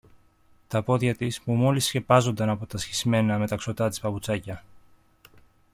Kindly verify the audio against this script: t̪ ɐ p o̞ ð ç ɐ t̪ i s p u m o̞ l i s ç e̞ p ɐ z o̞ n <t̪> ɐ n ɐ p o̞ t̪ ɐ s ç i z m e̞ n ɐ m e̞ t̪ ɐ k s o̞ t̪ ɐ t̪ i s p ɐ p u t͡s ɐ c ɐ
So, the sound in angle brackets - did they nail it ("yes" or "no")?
no